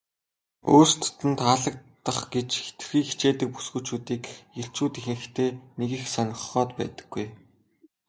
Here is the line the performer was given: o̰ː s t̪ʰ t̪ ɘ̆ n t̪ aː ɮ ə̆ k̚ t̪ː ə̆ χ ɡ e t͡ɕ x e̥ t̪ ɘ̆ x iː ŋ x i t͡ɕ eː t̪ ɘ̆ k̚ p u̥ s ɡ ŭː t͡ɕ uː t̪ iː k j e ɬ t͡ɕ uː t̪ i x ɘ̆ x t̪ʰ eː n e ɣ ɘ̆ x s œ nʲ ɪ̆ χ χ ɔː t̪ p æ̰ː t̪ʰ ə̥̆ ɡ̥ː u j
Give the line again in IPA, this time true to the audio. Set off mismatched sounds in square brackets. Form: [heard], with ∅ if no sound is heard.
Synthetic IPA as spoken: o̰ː s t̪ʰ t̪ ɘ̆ n t̪ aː ɮ ə̆ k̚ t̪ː ə̆ χ ɡ e t͡ɕ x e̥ t̪ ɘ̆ x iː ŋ x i t͡ɕ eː t̪ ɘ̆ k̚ p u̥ s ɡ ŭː t͡ɕ uː t̪ iː k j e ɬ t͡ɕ uː t̪ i x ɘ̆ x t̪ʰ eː n e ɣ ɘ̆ x s œ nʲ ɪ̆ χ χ ɔː t̪ p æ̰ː [t̪] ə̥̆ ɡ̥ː u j